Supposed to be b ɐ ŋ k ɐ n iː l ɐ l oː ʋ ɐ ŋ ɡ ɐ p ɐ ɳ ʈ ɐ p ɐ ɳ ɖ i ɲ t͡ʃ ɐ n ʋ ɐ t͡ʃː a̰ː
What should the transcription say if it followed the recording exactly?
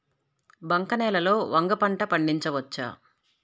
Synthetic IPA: b ɐ ŋ k ɐ n ɛː l ɐ l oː ʋ ɐ ŋ ɡ ɐ p ɐ ɳ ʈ ɐ p ɐ ɳ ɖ i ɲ t͡ʃ ɐ ʋ ɐ t͡ʃː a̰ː